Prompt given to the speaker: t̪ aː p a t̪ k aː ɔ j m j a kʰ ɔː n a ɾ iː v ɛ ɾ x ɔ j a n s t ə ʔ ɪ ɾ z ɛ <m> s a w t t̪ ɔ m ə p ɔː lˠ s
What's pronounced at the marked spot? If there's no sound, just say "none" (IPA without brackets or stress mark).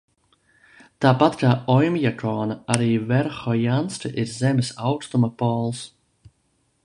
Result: m